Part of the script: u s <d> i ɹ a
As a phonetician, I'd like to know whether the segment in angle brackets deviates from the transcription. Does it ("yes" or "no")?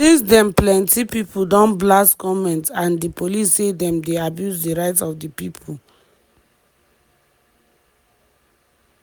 no